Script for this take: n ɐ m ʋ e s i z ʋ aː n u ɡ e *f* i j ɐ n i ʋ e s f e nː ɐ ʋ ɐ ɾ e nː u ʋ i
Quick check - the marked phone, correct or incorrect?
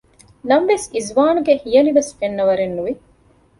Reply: incorrect